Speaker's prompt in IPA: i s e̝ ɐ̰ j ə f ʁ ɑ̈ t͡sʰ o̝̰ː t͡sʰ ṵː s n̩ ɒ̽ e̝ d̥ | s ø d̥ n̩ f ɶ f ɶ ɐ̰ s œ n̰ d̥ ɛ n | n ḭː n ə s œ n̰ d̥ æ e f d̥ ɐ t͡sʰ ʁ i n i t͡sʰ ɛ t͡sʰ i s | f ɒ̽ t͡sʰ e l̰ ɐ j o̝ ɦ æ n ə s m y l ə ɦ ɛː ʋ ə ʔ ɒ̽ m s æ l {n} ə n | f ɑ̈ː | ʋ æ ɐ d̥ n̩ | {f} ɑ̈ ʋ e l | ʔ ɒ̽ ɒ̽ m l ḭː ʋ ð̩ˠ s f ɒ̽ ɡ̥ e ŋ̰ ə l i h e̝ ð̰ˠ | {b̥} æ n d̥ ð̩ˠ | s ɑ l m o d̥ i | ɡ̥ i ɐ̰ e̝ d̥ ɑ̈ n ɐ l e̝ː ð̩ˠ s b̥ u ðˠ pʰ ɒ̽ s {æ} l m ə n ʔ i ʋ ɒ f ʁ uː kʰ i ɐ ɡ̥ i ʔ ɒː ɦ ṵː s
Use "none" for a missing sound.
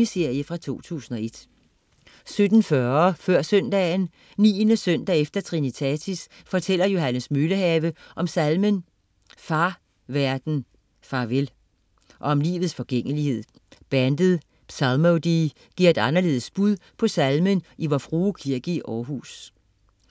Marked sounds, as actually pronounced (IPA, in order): m, f, b̥, æ

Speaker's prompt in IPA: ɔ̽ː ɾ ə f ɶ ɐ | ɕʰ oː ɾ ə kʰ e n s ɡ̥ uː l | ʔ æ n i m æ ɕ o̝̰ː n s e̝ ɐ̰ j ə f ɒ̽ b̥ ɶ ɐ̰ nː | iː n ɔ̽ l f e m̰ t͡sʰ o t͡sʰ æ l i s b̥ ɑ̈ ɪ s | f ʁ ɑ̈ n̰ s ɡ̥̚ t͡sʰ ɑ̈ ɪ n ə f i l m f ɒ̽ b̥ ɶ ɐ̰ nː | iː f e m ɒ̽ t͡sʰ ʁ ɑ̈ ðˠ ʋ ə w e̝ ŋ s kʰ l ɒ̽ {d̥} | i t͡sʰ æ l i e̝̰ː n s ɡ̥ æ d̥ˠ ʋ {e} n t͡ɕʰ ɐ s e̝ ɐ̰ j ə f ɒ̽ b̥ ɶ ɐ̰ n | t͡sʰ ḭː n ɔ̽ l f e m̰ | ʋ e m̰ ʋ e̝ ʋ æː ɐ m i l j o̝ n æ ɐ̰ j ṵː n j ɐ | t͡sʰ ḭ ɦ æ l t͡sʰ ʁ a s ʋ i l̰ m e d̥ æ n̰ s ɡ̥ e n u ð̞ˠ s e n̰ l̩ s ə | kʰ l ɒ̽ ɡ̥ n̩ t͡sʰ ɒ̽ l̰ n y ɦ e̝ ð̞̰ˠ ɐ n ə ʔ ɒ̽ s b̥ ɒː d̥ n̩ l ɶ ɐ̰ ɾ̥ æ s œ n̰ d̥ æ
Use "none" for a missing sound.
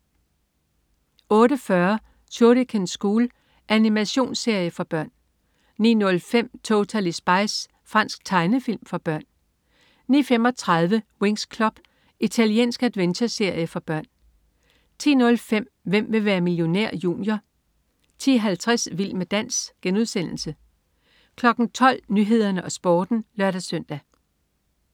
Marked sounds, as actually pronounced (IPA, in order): b̥, e

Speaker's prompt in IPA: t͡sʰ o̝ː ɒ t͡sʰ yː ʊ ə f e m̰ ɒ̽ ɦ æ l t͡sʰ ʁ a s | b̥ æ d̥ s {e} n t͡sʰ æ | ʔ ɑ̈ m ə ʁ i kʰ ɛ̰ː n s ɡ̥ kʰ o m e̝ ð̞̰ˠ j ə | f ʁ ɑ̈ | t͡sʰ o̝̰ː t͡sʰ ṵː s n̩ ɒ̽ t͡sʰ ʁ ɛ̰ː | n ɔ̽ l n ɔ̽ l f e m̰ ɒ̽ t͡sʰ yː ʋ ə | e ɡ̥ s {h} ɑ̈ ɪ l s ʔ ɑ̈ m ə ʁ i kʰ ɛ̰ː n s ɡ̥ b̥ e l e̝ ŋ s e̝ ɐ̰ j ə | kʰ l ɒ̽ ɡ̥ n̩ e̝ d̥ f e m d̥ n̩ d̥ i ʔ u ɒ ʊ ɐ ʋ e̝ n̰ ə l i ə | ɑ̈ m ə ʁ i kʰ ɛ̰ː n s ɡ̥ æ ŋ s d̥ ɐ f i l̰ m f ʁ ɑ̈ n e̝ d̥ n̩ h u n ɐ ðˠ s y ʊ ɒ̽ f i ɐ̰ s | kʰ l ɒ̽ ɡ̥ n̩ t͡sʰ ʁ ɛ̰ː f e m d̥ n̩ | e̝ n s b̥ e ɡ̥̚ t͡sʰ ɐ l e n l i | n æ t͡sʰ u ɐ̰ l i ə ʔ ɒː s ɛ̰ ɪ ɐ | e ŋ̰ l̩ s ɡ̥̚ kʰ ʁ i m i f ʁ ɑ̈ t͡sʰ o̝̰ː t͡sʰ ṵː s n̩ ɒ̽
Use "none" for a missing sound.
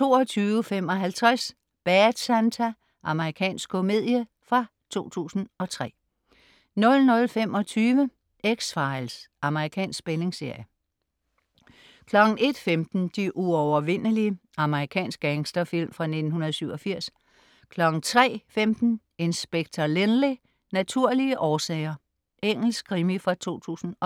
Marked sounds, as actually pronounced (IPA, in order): æ, f

